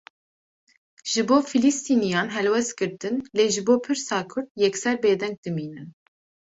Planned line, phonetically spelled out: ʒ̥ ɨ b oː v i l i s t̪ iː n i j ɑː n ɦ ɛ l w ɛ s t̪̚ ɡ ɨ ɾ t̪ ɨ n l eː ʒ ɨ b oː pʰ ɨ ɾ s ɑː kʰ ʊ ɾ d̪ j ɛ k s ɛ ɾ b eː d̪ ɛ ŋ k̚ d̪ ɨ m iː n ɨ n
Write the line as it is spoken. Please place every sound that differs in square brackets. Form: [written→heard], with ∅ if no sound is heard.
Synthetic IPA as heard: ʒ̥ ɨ b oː [v→f] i l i s t̪ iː n i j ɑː n ɦ ɛ l w ɛ s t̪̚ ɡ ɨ ɾ t̪ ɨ n l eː ʒ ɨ b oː pʰ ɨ ɾ s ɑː kʰ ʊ ɾ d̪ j ɛ k s ɛ ɾ b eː d̪ ɛ ŋ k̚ d̪ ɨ m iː n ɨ n